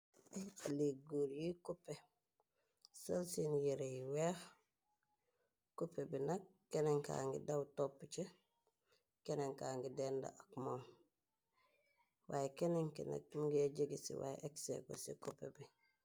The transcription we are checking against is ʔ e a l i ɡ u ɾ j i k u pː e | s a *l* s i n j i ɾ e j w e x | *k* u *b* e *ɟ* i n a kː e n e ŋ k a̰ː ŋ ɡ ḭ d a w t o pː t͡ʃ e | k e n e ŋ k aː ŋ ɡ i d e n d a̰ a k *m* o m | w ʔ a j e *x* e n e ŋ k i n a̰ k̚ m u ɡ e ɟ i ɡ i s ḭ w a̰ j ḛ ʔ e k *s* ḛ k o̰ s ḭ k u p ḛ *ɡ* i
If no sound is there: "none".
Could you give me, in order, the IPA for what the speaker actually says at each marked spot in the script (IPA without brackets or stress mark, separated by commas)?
l, k, p, b, m, k, s, b